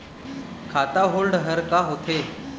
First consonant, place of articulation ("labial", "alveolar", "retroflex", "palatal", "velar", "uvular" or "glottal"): velar